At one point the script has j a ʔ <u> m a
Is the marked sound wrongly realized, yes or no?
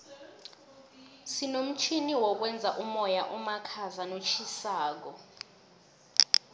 no